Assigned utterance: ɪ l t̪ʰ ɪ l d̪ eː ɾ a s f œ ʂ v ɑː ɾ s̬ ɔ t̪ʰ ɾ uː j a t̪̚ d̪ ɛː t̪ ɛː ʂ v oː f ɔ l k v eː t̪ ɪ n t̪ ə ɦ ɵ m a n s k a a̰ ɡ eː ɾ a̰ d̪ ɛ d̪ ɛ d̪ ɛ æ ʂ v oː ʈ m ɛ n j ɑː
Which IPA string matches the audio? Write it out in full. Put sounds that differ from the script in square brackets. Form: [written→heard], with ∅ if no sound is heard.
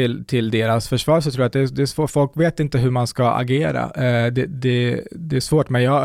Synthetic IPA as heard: ɪ l t̪ʰ ɪ l d̪ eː ɾ a s f œ ʂ v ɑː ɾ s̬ ɔ t̪ʰ ɾ uː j a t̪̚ d̪ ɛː [t̪→d̪] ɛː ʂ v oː f ɔ l k v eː t̪ ɪ n t̪ ə ɦ ɵ m a n s k a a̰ ɡ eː ɾ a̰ d̪ ɛ d̪ ɛ d̪ ɛ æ ʂ v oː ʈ m ɛ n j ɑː